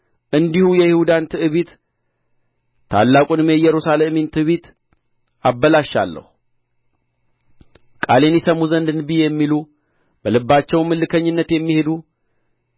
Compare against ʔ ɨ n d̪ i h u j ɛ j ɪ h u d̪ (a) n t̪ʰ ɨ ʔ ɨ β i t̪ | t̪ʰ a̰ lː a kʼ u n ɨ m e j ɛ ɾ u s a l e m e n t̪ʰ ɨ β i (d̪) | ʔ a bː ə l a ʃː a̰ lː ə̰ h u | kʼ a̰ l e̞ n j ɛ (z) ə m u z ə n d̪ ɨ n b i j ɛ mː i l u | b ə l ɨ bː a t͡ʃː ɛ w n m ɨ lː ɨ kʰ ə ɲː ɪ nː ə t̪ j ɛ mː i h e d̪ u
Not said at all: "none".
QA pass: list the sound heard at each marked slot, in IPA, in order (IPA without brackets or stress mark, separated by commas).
a, t̪, s